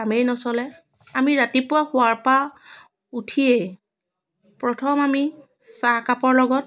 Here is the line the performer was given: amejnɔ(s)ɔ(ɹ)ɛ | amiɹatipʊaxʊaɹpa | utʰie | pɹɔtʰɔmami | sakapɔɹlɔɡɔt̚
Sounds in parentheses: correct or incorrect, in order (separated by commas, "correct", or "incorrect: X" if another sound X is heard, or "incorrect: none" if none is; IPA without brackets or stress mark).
correct, incorrect: l